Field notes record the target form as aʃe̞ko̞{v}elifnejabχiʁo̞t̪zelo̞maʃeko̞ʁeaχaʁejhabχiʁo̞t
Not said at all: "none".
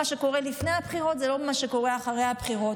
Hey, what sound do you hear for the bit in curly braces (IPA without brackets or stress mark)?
ʁ